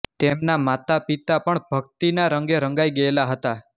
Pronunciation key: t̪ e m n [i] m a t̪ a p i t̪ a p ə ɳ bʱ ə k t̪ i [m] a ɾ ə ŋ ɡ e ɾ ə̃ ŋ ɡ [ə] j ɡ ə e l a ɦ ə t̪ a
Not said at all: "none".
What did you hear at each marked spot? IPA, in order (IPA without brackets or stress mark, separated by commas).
a, n, a